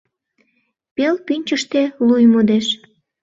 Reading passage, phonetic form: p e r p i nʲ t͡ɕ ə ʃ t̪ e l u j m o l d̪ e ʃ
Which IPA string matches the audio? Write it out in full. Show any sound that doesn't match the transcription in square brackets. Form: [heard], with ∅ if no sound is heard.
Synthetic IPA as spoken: p e [l] p [y] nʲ t͡ɕ ə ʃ t̪ e l u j m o [∅] d̪ e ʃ